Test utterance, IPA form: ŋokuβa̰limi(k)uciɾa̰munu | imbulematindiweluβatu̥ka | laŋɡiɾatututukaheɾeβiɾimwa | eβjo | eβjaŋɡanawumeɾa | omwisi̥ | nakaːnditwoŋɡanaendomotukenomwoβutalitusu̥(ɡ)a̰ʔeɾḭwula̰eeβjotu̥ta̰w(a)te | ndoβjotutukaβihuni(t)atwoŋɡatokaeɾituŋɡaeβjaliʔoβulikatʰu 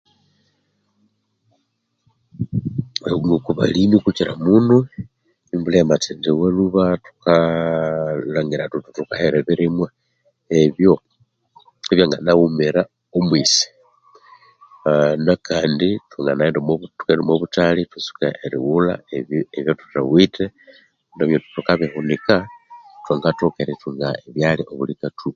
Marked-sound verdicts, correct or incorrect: correct, incorrect, incorrect, incorrect

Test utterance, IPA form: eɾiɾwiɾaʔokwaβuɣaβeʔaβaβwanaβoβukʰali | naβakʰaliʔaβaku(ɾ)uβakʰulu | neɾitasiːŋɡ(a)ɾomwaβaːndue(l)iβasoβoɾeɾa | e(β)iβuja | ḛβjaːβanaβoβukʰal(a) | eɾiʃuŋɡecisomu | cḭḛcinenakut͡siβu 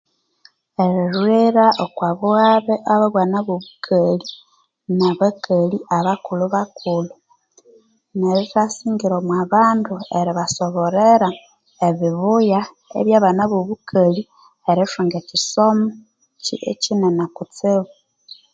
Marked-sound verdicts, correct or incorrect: incorrect, incorrect, incorrect, correct, incorrect

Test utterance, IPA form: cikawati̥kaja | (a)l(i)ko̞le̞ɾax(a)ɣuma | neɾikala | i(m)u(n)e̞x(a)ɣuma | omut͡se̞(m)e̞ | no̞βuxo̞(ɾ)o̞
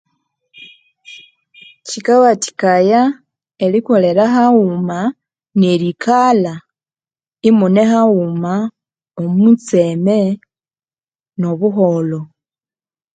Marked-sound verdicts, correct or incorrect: incorrect, correct, correct, correct, correct, correct, correct, incorrect

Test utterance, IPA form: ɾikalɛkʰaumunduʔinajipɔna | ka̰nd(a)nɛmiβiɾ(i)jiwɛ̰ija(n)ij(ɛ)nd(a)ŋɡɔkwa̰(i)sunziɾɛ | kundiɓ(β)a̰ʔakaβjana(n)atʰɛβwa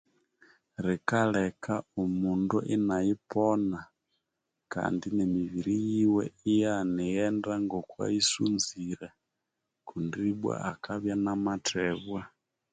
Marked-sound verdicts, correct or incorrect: incorrect, correct, correct, correct, correct, correct, incorrect, incorrect

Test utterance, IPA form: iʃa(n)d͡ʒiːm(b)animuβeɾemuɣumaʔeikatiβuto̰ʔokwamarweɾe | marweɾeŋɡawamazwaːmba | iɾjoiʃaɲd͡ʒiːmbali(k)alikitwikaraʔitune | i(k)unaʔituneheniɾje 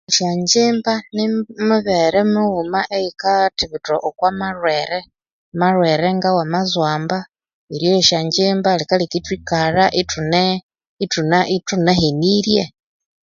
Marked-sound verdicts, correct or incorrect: incorrect, correct, correct, incorrect

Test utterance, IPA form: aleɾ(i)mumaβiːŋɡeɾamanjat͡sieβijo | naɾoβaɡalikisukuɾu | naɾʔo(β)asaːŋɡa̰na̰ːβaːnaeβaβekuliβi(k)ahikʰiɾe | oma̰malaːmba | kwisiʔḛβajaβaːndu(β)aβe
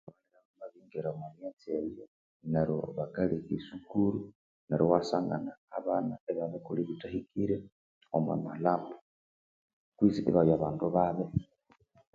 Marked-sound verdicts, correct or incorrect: incorrect, incorrect, incorrect, correct

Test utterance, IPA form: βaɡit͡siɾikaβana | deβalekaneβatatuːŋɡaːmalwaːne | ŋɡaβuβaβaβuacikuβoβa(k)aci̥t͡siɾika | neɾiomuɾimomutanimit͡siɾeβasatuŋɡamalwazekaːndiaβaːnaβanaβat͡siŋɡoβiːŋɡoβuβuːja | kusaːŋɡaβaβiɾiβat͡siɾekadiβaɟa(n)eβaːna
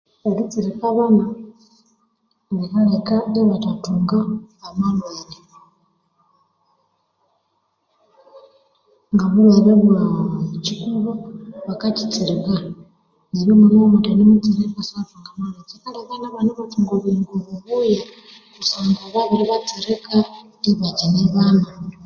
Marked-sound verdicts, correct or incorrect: correct, correct

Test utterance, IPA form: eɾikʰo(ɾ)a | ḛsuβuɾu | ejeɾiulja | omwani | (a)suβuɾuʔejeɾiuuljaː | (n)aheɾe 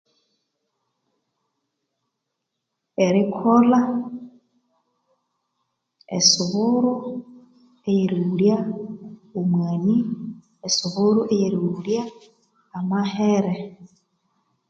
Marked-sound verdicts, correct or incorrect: incorrect, incorrect, incorrect

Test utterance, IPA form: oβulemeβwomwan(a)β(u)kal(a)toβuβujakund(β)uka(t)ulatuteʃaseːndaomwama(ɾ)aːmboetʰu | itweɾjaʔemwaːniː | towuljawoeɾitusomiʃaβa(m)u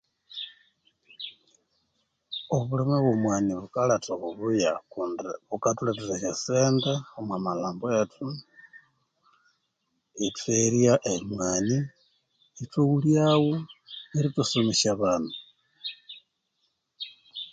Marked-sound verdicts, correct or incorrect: incorrect, correct, correct, correct, correct, incorrect, incorrect

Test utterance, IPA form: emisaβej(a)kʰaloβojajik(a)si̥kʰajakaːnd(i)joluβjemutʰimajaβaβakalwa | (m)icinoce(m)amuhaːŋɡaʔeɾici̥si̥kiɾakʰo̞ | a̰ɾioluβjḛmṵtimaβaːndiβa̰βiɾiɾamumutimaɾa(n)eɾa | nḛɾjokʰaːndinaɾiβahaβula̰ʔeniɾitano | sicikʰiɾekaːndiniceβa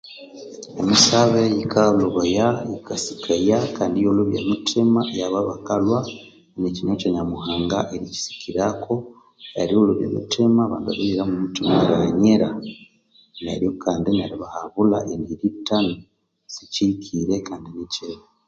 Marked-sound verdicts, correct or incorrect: incorrect, correct, correct, incorrect, incorrect, incorrect

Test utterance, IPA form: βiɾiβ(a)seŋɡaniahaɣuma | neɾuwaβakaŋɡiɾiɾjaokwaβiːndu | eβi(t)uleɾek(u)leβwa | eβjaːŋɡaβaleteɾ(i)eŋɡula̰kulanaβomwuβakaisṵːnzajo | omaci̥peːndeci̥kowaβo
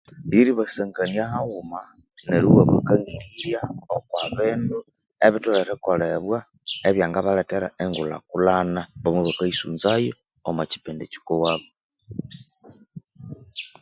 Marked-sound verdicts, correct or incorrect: correct, correct, incorrect, incorrect

